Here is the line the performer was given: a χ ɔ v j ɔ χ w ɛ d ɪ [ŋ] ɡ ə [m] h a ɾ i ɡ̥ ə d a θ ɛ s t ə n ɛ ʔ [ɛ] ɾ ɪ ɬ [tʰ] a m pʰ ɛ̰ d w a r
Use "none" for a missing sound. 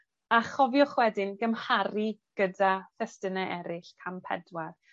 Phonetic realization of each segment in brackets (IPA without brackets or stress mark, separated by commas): n, m, ɛ, kʰ